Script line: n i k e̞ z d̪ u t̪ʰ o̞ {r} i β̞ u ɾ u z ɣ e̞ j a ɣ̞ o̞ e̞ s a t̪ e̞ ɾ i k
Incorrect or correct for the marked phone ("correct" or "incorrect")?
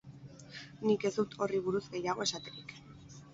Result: correct